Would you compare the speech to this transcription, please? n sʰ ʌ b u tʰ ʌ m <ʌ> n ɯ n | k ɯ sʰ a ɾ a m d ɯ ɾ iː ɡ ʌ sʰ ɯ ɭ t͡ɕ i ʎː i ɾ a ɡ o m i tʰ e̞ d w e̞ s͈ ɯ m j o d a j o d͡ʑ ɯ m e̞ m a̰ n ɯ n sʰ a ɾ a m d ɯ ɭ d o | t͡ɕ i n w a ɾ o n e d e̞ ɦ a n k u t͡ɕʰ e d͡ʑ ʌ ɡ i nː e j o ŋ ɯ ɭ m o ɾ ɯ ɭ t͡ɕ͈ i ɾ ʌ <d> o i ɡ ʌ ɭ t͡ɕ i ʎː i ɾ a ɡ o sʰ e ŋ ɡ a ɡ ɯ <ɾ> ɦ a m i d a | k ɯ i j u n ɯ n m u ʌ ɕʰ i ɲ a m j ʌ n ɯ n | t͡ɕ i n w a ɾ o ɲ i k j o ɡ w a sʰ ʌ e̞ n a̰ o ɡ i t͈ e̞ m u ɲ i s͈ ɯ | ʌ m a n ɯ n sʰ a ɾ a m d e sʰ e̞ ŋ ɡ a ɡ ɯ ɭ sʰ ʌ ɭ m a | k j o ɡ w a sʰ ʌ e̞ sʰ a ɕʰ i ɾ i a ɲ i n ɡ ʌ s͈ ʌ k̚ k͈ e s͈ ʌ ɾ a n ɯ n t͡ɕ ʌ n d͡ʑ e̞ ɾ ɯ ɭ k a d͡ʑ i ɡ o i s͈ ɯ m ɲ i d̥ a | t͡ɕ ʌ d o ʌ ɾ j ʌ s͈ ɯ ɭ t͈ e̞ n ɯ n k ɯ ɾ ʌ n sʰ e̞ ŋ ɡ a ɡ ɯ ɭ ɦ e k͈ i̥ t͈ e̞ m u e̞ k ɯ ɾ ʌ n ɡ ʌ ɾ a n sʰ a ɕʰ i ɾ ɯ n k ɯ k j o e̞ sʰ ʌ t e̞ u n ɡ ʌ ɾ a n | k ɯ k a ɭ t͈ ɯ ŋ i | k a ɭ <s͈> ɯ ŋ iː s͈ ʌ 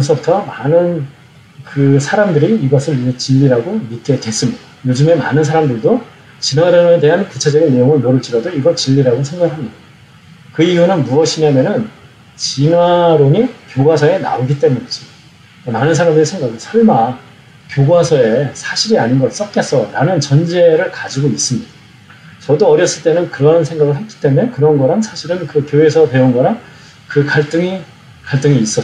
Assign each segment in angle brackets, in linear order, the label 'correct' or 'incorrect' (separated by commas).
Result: incorrect, correct, incorrect, incorrect